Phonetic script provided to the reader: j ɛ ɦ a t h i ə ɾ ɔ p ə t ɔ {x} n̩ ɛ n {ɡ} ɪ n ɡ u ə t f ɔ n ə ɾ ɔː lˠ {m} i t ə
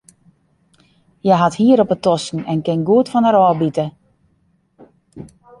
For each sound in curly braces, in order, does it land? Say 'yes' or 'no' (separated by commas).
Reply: no, no, no